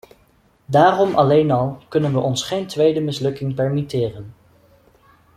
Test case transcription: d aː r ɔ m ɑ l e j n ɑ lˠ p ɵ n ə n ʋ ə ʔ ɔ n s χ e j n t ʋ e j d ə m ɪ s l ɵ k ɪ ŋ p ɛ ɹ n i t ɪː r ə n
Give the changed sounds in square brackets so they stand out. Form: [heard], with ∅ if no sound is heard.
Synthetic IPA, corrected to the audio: d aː r ɔ m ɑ l e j n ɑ lˠ [k] ɵ n ə n ʋ ə ʔ ɔ n s χ e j n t ʋ e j d ə m ɪ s l ɵ k ɪ ŋ p ɛ ɹ [m] i t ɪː r ə n

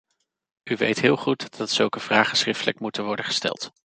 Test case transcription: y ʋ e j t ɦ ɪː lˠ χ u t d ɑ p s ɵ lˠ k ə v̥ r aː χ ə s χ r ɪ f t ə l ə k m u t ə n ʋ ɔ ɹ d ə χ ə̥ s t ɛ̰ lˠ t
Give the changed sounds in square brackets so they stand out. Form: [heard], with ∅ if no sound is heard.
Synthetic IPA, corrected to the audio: y ʋ e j t ɦ ɪː lˠ χ u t d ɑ [t] s ɵ lˠ k ə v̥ r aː χ ə s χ r ɪ f t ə l ə k m u t ə n ʋ ɔ ɹ d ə χ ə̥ s t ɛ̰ lˠ t

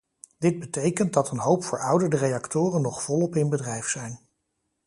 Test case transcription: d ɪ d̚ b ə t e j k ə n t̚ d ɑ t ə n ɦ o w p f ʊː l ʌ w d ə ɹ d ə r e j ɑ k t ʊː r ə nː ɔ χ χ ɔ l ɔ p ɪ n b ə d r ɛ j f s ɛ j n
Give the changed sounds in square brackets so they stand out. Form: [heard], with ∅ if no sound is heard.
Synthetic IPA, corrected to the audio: d ɪ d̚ b ə t e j k ə n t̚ d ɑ t ə n ɦ o w p f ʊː [ɹ] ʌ w d ə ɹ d ə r e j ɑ k t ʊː r ə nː ɔ χ [f] ɔ l ɔ p ɪ n b ə d r ɛ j f s ɛ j n

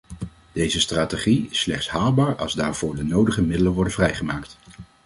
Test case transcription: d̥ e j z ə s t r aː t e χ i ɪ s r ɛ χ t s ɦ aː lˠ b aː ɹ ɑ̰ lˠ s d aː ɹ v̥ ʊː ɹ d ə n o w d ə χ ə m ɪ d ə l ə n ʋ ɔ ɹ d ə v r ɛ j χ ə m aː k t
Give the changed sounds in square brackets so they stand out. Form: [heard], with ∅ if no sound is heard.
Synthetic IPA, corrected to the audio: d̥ e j z ə s t r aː t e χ i ɪ s [l] ɛ χ t s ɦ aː lˠ b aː ɹ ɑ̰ lˠ [z] d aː ɹ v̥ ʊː ɹ d ə n o w d ə χ ə m ɪ d ə l ə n ʋ ɔ ɹ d ə v r ɛ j χ ə m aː k t

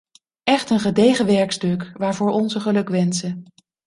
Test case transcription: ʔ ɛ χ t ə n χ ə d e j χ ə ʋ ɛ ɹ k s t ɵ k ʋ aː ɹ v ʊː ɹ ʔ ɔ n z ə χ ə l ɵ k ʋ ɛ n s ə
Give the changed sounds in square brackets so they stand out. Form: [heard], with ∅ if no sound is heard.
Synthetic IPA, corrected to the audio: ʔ ɛ χ t ə n χ ə d e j χ ə ʋ ɛ ɹ k s t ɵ k ʋ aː ɹ v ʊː ɹ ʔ ɔ n z ə χ ə l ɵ k ʋ ɛ n s ə

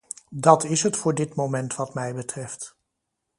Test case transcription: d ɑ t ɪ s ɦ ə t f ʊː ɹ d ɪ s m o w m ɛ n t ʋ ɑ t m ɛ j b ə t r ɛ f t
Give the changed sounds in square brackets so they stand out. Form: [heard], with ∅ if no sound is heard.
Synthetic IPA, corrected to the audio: d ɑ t ɪ s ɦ ə t f ʊː ɹ d ɪ [t] m o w m ɛ n t ʋ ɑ t m ɛ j b ə t r ɛ f t

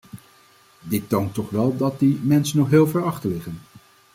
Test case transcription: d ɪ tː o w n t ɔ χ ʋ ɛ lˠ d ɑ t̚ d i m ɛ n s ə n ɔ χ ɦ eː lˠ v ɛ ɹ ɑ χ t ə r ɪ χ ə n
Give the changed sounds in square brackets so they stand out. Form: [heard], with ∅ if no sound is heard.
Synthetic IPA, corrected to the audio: d ɪ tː o w n t ɔ χ ʋ ɛ lˠ d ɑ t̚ d i m ɛ n s ə n ɔ χ ɦ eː lˠ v ɛ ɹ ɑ χ t ə [l] ɪ χ ə n

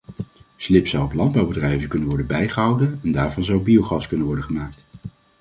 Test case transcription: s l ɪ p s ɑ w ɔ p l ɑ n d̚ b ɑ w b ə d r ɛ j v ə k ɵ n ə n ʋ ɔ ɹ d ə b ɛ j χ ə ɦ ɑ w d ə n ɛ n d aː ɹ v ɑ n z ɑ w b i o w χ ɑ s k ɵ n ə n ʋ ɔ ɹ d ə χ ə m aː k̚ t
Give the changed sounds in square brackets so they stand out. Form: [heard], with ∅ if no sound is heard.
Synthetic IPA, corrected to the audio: s l ɪ p s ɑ w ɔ p l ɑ n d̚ b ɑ w b ə d r ɛ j v ə k ɵ n ə n ʋ ɔ ɹ d ə b ɛ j χ ə ɦ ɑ w d ə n ɛ n d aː ɹ v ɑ n z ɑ w b i o w χ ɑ s k ɵ n ə n ʋ ɔ ɹ d ə χ ə m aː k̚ t

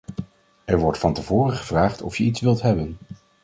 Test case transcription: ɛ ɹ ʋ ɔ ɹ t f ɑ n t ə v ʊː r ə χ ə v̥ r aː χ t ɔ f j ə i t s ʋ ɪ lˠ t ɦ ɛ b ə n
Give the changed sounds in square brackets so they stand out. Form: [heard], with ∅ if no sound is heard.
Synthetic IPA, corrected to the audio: ɛ ɹ ʋ ɔ ɹ t f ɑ n t ə v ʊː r ə χ ə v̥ r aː χ t ɔ f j ə i t s ʋ ɪ lˠ t ɦ ɛ b ə n

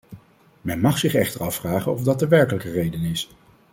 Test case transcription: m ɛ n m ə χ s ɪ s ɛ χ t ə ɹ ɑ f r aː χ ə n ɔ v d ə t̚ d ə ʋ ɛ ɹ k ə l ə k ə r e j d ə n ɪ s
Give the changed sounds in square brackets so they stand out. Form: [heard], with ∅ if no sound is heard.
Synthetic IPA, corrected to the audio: m ɛ n m [ɑ] χ s ɪ [χ] ɛ χ t ə ɹ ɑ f r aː χ ə n ɔ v d [ɑ] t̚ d ə ʋ ɛ ɹ k ə l ə k ə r e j d ə n ɪ s

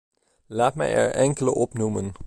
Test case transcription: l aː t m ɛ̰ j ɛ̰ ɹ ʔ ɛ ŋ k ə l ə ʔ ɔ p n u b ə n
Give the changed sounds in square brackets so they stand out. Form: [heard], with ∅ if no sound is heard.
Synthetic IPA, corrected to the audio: l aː t m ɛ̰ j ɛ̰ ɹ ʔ ɛ ŋ k ə l ə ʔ ɔ p n u [m] ə n

